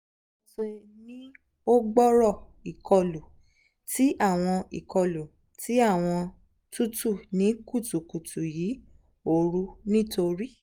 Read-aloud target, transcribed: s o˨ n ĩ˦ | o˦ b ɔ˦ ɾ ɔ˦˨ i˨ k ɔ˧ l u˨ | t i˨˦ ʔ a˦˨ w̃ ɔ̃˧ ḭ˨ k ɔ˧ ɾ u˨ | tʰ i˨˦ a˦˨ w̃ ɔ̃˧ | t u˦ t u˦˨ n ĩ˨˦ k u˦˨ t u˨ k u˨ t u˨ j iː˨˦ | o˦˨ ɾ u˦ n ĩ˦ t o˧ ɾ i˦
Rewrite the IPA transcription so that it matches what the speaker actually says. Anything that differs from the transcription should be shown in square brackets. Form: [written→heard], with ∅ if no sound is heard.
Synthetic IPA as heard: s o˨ n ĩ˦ | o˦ [b→ɡ͡b] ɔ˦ ɾ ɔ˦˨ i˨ k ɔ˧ l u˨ | t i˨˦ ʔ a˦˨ w̃ ɔ̃˧ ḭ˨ k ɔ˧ [ɾ→l] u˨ | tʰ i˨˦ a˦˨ w̃ ɔ̃˧ | t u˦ t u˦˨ n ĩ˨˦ k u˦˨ t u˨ k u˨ t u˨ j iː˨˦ | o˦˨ ɾ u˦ n ĩ˦ t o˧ ɾ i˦